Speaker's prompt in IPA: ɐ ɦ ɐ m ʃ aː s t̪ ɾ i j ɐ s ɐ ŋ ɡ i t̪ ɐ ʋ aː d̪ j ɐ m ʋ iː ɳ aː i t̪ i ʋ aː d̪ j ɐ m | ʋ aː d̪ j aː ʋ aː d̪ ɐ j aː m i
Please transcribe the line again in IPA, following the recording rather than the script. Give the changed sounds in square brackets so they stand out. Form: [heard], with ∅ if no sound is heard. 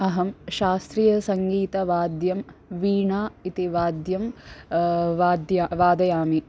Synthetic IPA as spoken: ɐ ɦ ɐ m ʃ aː s t̪ ɾ i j ɐ s ɐ ŋ ɡ [iː] t̪ ɐ ʋ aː d̪ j ɐ m ʋ iː ɳ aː i t̪ i ʋ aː d̪ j ɐ m | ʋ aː d̪ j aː ʋ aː d̪ ɐ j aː m i